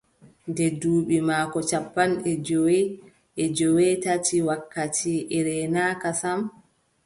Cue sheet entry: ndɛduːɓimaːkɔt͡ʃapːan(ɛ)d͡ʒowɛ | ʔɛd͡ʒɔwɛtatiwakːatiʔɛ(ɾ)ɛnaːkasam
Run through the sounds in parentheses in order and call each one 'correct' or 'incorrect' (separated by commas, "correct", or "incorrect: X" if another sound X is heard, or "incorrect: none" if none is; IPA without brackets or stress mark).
correct, correct